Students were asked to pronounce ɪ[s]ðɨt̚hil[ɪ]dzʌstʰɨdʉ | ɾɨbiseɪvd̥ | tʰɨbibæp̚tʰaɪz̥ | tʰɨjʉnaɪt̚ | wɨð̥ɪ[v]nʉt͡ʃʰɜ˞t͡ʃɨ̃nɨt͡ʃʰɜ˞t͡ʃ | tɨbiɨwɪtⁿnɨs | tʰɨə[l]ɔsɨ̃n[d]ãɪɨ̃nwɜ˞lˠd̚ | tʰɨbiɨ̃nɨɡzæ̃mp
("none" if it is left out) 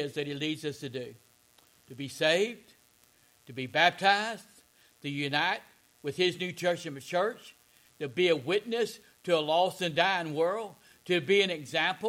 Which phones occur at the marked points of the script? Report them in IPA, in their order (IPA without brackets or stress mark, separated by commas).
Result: z, i, z, l, d